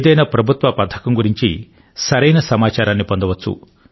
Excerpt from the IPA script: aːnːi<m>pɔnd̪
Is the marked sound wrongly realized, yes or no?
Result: yes